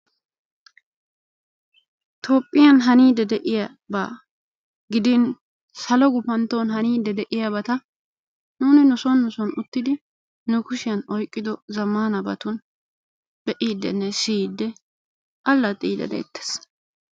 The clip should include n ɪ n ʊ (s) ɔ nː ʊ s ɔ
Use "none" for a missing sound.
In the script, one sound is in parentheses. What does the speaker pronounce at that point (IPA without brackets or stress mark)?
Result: s